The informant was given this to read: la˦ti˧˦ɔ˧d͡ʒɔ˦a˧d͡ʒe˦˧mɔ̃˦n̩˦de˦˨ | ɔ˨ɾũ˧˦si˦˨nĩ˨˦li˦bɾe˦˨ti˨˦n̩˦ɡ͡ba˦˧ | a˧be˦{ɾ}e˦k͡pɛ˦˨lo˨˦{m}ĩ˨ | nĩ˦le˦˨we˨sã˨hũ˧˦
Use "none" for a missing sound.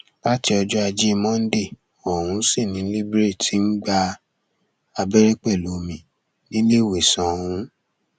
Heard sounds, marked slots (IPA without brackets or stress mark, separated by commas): ɾ, m